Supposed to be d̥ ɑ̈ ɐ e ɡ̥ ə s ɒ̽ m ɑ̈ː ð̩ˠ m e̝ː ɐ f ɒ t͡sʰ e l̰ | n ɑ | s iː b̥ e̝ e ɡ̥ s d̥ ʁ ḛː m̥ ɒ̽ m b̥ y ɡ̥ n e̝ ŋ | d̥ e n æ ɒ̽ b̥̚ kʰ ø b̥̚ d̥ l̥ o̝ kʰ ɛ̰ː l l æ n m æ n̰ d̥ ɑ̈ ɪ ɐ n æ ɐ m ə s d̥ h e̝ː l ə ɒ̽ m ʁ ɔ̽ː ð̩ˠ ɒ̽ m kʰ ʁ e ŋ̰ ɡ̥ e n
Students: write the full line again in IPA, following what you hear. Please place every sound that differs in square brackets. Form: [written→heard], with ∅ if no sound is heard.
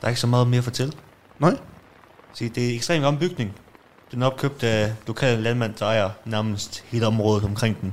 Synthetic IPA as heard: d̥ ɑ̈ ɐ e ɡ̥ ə s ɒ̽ m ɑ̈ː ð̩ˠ m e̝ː ɐ f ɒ t͡sʰ e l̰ | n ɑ | s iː [b̥→d̥] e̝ e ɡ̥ s d̥ ʁ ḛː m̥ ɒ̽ m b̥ y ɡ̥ n e̝ ŋ | d̥ e n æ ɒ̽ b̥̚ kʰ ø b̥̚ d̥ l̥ o̝ kʰ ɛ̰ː l l æ n m æ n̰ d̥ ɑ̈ ɪ ɐ n æ ɐ m ə s d̥ h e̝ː l ə ɒ̽ m ʁ ɔ̽ː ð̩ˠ ɒ̽ m kʰ ʁ e ŋ̰ [ɡ̥→d̥] e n